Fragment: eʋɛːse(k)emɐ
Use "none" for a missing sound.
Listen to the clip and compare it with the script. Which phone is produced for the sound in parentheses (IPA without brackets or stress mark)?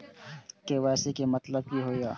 k